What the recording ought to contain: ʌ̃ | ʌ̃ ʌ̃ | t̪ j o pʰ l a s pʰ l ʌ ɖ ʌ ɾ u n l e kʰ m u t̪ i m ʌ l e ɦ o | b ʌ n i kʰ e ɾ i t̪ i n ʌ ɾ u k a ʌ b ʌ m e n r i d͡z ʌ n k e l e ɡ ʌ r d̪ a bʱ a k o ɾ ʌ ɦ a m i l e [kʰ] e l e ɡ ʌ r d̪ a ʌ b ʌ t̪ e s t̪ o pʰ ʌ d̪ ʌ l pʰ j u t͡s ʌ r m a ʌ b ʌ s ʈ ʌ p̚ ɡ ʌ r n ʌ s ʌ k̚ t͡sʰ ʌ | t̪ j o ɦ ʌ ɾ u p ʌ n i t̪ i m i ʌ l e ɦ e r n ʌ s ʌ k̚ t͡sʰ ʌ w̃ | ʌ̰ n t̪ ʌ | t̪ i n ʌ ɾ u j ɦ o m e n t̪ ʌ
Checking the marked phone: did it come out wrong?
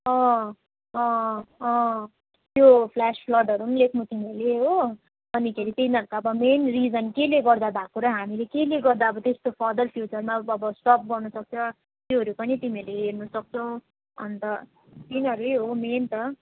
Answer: yes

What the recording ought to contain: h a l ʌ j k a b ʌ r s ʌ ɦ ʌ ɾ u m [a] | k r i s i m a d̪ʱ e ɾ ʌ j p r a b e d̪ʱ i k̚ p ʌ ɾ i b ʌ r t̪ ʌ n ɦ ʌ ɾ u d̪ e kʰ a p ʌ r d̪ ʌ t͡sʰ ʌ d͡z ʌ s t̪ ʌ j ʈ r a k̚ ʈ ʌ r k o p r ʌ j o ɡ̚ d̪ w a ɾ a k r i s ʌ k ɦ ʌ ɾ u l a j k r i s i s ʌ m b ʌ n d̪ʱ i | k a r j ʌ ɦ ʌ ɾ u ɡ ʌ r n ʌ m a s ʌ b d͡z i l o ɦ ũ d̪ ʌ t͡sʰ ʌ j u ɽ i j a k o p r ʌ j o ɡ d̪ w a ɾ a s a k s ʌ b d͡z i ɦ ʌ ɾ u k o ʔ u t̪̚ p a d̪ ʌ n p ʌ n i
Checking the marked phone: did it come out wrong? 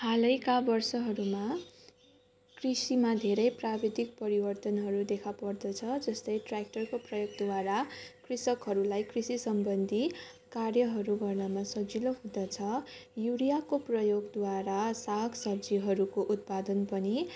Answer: no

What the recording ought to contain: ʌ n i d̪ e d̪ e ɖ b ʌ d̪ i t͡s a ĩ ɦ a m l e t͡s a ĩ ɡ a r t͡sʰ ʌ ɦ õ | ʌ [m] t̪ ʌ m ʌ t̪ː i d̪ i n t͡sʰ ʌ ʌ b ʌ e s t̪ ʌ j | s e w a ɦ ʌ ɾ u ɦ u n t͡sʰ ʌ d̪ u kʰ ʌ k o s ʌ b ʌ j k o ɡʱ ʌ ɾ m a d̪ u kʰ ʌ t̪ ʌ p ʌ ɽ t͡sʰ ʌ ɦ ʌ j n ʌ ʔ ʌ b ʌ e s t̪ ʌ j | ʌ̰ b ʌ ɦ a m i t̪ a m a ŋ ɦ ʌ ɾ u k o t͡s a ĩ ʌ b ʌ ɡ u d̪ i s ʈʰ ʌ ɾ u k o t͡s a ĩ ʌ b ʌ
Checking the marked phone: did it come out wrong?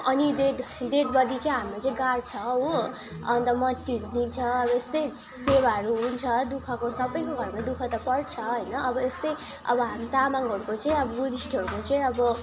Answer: yes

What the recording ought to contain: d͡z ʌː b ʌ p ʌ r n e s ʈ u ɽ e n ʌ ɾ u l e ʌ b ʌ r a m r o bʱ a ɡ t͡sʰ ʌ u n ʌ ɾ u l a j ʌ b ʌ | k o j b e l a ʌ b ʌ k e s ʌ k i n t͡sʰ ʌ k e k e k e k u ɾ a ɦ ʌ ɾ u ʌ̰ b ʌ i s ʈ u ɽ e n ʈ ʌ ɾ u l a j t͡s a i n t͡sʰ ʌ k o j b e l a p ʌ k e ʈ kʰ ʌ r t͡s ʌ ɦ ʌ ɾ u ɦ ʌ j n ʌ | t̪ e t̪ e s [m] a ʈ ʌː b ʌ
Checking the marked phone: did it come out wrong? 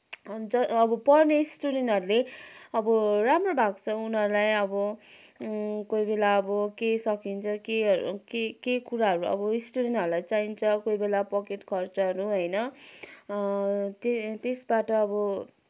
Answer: yes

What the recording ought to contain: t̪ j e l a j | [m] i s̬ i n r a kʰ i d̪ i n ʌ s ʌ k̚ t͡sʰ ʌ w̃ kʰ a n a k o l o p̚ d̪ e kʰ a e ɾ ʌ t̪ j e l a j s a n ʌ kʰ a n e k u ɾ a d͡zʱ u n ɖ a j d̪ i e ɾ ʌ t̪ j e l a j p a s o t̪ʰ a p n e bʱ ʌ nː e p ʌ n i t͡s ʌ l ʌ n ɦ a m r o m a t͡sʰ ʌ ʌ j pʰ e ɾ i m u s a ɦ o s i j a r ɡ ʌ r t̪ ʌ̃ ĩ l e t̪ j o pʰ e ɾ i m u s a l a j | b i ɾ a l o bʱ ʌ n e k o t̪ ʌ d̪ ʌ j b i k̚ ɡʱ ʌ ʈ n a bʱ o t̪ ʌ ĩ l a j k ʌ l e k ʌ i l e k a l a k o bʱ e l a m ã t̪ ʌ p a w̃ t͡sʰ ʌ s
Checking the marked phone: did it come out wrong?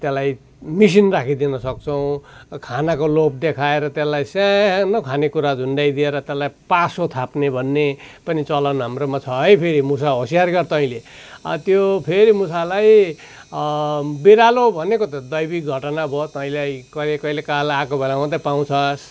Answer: no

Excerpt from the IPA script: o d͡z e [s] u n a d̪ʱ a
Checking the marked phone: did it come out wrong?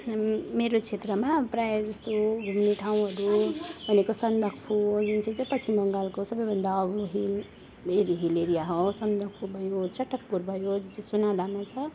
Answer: no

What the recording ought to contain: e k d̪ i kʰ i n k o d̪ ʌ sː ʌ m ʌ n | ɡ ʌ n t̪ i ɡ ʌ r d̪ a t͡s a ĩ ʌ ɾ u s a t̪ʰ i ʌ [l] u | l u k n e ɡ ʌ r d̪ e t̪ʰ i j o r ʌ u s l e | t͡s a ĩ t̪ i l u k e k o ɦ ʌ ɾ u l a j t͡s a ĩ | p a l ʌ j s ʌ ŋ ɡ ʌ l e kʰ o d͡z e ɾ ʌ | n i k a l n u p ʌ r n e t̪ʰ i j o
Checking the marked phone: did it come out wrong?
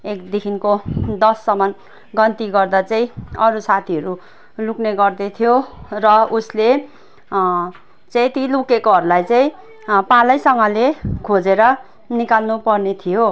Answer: yes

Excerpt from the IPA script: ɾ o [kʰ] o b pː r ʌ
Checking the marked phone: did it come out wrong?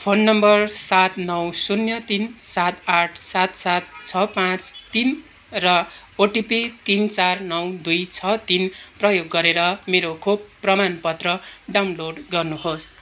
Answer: no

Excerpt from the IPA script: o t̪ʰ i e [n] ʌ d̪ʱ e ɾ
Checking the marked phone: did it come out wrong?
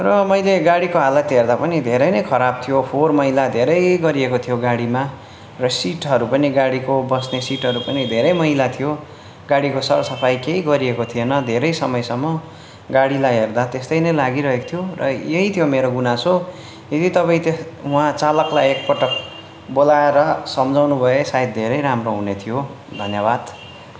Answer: no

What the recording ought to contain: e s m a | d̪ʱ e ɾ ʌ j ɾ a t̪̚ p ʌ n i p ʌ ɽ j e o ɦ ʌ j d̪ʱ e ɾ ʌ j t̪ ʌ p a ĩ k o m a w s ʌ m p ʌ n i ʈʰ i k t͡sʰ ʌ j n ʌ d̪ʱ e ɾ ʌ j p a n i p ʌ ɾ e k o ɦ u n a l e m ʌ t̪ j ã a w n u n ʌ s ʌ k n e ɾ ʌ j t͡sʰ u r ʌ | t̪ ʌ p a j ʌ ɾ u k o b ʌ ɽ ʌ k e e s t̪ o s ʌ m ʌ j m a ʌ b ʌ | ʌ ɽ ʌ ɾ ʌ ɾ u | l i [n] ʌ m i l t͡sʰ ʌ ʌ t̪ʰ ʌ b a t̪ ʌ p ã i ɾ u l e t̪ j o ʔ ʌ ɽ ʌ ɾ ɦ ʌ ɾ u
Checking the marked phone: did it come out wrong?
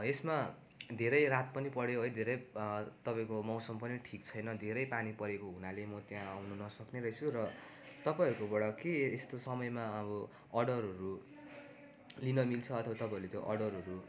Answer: no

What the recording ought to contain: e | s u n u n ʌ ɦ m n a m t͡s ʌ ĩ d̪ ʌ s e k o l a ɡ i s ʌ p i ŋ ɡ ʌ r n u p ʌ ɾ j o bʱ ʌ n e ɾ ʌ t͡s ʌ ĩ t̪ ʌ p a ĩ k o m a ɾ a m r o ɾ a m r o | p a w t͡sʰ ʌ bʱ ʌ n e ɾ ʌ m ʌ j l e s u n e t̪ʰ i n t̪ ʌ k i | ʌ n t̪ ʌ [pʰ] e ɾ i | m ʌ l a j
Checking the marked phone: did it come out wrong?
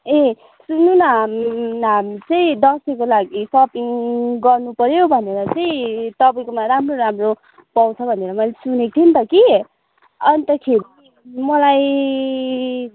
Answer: yes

